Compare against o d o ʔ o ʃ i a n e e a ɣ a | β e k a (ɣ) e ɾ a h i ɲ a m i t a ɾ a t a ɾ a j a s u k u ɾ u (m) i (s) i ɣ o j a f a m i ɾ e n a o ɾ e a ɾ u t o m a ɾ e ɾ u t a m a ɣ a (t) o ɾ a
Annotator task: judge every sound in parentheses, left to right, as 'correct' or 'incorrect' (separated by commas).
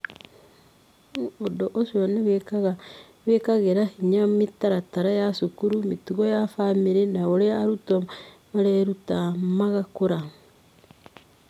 correct, correct, incorrect, incorrect